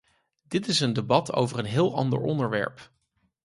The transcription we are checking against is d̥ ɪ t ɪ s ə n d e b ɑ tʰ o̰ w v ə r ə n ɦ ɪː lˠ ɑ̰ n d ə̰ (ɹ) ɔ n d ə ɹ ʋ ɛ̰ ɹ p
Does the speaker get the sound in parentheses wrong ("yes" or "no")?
no